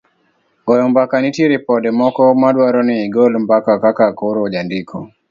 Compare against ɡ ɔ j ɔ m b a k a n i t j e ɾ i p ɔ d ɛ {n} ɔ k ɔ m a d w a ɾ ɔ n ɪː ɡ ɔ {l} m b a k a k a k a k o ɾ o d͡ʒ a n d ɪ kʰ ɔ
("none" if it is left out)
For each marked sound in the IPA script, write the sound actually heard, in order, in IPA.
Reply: m, l

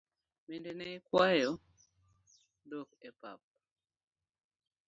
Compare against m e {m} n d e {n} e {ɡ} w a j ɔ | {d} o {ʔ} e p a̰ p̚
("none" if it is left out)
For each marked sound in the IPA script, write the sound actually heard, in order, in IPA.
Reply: none, n, k, d, k

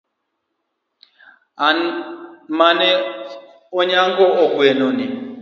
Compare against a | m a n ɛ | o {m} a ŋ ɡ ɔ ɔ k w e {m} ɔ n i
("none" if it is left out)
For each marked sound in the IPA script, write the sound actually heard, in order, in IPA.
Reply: ɲ, n

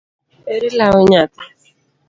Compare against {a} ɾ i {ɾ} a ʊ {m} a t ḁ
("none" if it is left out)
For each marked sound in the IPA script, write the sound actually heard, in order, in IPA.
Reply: e, l, ɲ

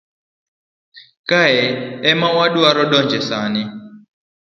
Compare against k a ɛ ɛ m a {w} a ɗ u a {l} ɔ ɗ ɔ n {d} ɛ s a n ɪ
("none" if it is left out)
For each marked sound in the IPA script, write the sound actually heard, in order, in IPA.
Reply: w, ɾ, d͡ʒ

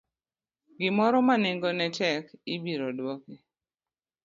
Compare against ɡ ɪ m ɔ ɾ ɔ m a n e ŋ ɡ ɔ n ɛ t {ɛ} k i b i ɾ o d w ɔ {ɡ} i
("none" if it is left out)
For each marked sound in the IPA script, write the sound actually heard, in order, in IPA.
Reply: ɛ, k

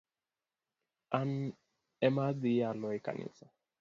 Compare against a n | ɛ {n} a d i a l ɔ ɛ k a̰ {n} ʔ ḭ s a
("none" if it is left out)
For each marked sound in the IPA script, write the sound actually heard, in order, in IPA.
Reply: m, n

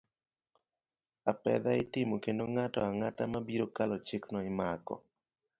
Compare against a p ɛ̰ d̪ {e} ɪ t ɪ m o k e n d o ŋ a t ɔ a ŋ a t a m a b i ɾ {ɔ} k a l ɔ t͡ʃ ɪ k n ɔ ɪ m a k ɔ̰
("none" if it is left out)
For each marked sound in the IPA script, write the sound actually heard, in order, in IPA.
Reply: a, o

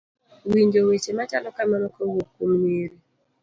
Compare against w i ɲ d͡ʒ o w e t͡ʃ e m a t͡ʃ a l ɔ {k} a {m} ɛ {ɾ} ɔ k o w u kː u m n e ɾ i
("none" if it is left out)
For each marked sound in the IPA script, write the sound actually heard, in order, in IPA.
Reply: k, m, ɾ

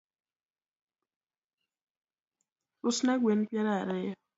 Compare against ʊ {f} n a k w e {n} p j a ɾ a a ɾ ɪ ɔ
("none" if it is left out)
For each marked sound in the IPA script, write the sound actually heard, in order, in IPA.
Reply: s, n

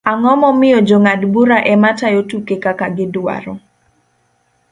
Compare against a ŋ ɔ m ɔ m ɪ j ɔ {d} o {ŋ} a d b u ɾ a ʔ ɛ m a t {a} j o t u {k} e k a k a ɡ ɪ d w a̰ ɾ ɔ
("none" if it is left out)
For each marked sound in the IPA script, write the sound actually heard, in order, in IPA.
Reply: d͡ʒ, ŋ, a, k

